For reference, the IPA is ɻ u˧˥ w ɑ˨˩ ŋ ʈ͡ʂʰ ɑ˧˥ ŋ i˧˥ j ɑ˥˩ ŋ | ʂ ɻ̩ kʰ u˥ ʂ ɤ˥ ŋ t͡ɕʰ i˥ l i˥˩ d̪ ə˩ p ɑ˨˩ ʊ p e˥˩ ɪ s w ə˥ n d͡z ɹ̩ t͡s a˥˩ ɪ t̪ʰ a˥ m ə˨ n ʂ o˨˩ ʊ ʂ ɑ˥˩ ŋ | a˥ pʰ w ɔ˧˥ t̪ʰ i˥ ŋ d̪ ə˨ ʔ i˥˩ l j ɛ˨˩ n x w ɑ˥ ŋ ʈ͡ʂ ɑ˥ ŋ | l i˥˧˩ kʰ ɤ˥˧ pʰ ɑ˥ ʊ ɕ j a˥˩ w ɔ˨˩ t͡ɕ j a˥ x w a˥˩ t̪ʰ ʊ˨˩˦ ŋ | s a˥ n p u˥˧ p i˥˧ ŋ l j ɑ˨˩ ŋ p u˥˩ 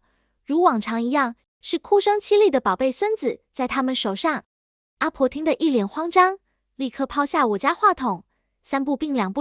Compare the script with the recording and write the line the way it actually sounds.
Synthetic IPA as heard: ɻ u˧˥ w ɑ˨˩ ŋ ʈ͡ʂʰ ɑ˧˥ ŋ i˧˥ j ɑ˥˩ ŋ | ʂ ɻ̩ kʰ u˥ ʂ ɤ˥ ŋ t͡ɕʰ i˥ l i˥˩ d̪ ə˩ p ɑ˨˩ ʊ p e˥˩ ɪ s w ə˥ n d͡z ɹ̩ t͡s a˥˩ ɪ t̪ʰ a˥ m ə˨ n ʂ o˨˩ ʊ ʂ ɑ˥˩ ŋ | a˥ pʰ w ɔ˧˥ t̪ʰ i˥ ŋ d̪ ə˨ ʔ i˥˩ l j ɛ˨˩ n x w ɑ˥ ŋ ʈ͡ʂ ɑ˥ ŋ | l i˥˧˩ kʰ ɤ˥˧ pʰ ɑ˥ ʊ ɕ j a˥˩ w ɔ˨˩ t͡ɕ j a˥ x w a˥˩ t̪ʰ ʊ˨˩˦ ŋ | s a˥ n p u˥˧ p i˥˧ ŋ l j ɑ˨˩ ŋ p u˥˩